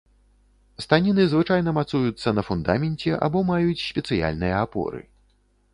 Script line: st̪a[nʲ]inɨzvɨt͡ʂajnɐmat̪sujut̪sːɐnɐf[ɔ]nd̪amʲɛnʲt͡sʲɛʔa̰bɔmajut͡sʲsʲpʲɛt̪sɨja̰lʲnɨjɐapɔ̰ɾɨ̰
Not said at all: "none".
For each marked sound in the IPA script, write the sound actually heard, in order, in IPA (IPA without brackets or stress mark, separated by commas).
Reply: nʲ, u